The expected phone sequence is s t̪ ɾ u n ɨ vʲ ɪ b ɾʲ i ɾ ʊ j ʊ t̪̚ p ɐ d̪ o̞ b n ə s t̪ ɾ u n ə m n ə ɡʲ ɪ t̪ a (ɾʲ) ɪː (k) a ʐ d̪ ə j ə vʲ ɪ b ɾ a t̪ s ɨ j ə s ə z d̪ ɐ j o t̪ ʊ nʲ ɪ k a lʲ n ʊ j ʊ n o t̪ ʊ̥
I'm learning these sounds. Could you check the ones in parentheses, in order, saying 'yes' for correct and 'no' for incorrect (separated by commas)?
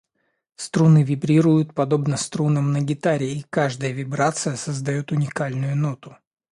yes, yes